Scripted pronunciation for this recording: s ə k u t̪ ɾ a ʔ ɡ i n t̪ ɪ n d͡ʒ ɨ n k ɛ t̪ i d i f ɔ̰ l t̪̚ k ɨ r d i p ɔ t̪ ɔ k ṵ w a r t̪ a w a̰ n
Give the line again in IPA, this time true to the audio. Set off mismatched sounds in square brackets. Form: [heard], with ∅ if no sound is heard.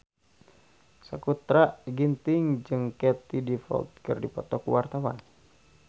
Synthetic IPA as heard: s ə k u t̪ ɾ a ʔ ɡ i n t̪ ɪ [ŋ] d͡ʒ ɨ [ŋ] k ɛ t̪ i d i f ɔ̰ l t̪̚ k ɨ r d i p ɔ t̪ ɔ k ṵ w a r t̪ a w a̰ n